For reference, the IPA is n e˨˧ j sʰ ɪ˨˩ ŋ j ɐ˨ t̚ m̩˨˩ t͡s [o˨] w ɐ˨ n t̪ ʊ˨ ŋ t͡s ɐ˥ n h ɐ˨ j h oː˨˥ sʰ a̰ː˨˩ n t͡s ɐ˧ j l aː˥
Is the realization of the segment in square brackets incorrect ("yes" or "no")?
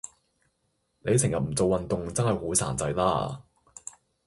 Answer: no